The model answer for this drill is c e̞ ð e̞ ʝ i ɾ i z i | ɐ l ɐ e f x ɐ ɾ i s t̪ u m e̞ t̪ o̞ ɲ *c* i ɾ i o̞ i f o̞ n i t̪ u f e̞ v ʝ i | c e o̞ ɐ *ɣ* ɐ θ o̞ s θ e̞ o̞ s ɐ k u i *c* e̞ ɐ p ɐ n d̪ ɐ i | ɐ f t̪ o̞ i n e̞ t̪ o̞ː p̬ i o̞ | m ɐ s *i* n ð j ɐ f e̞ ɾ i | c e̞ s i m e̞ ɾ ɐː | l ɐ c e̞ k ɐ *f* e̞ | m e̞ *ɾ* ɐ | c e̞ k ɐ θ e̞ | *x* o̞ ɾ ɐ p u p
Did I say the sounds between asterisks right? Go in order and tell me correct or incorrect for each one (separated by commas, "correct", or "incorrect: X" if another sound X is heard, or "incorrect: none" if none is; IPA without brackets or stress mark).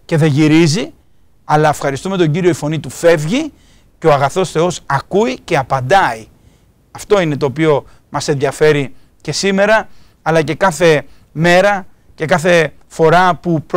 incorrect: ɟ, correct, correct, incorrect: e, incorrect: θ, correct, incorrect: f